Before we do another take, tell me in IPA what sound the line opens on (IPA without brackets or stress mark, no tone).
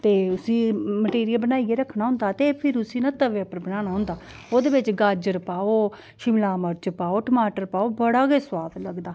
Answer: t̪